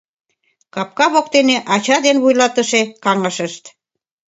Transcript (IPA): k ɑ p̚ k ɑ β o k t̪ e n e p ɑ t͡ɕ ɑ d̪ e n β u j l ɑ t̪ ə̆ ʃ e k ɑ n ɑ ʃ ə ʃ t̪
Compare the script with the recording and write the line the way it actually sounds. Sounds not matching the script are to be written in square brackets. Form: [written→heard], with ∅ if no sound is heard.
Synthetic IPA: k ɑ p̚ k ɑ β o k t̪ e n e [p→ʔ] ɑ t͡ɕ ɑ d̪ e n β u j l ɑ t̪ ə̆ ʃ e k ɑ [n→ŋ] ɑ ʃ ə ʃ t̪